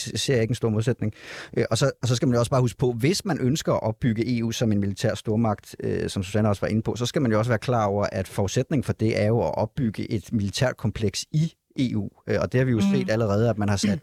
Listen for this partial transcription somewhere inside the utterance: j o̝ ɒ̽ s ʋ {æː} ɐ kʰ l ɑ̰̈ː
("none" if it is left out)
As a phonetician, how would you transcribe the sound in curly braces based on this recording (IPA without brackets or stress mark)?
æː